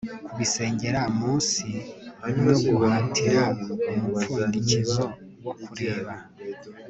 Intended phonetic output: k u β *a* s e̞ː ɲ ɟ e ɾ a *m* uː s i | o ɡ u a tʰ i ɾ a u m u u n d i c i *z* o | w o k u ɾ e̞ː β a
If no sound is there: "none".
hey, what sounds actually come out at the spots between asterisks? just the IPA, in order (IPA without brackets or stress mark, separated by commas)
i, m, z